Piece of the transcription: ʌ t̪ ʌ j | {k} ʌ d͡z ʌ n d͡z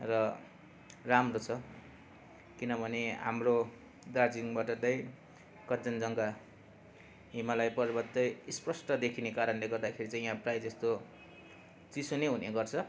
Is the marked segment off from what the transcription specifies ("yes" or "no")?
no